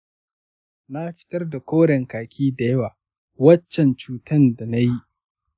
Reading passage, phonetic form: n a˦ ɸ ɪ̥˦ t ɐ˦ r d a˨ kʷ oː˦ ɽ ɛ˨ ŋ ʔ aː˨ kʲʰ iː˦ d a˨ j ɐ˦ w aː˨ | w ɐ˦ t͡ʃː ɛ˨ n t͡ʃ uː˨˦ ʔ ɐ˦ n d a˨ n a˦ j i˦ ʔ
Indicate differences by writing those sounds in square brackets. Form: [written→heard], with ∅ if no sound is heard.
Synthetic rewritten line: n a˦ ɸ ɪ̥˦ t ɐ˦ r d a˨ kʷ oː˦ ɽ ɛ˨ ŋ [ʔ→k] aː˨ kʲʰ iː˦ d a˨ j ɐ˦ w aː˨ | w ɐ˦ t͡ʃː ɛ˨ n t͡ʃ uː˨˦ [ʔ→t] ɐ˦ n d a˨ n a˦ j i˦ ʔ